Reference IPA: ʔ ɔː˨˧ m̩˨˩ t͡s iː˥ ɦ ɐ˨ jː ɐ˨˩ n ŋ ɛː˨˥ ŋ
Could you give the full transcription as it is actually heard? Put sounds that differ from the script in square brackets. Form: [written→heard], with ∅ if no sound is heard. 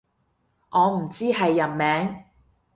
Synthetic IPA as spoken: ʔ ɔː˨˧ m̩˨˩ t͡s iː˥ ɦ ɐ˨ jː ɐ˨˩ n [ŋ→m] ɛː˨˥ ŋ